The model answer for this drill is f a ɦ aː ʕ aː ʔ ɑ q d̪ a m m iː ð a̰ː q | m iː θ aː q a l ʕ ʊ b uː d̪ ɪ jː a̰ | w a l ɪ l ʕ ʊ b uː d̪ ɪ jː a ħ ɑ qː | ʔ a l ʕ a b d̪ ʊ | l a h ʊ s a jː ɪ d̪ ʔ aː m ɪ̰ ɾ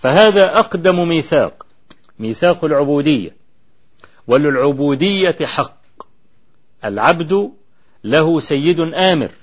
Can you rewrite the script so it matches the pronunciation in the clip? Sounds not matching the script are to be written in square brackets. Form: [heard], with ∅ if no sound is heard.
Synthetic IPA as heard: f a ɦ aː [ð] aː ʔ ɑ q d̪ a m m iː [θ] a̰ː q | m iː θ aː q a l ʕ ʊ b uː d̪ ɪ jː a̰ | w a l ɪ l ʕ ʊ b uː d̪ ɪ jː a ħ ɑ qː | ʔ a l ʕ a b d̪ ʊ | l a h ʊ s a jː ɪ d̪ ʔ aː m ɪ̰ ɾ